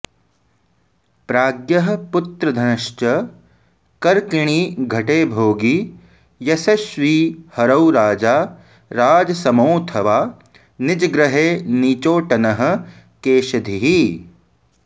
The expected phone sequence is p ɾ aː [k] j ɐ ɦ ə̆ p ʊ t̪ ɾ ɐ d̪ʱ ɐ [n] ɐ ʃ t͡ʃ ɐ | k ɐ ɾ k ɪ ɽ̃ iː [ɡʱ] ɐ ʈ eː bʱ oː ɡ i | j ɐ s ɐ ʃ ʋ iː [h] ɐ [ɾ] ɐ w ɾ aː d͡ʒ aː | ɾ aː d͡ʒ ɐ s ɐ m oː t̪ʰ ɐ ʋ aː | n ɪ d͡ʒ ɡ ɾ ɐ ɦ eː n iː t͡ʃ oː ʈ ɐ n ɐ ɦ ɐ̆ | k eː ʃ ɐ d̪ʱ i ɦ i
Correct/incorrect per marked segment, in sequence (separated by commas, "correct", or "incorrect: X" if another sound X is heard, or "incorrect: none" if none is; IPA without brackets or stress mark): incorrect: ɡ, correct, correct, correct, correct